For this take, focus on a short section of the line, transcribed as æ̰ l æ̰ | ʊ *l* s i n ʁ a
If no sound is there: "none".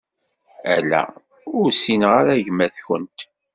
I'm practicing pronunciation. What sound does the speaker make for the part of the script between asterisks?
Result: ɾ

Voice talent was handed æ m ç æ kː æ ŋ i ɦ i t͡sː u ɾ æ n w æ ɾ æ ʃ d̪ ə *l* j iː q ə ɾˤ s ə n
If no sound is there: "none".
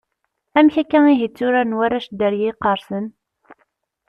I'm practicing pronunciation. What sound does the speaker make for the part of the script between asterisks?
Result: ɾ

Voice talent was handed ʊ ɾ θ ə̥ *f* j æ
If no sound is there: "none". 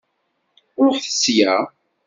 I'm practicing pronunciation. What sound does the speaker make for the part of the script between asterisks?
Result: s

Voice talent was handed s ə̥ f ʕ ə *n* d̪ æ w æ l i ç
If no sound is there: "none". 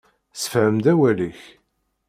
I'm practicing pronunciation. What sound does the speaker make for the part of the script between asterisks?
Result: m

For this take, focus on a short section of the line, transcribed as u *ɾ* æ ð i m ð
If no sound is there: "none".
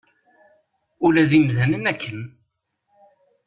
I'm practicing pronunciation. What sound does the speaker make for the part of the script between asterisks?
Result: l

